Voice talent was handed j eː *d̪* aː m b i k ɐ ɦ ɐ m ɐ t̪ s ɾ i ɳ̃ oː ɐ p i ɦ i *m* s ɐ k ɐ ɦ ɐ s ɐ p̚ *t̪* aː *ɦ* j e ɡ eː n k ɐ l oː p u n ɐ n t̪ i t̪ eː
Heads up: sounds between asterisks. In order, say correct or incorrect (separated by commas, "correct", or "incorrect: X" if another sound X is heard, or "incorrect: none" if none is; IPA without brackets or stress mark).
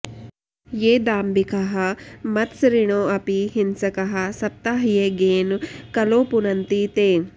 correct, incorrect: n, correct, correct